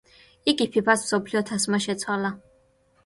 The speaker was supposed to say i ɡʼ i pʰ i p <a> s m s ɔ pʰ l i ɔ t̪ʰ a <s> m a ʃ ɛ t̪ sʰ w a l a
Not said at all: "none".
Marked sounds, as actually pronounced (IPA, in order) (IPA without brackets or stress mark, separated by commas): a, s